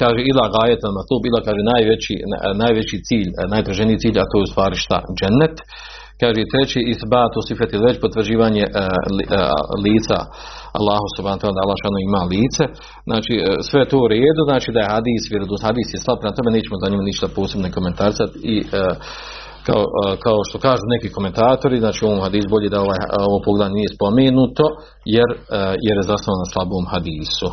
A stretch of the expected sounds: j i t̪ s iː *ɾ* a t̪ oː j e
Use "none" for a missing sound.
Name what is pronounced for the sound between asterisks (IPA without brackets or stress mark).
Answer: ʎ